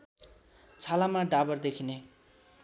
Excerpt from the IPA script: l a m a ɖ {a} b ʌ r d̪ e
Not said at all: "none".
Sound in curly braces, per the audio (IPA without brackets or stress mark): a